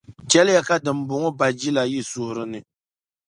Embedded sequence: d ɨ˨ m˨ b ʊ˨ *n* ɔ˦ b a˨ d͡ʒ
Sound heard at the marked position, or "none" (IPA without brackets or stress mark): ŋ